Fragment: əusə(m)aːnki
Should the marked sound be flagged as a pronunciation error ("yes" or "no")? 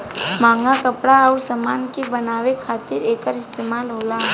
no